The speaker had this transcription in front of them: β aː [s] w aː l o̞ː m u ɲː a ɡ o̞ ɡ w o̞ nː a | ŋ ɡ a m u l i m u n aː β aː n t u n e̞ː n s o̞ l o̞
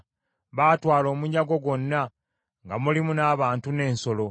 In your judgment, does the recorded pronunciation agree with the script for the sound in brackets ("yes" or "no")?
no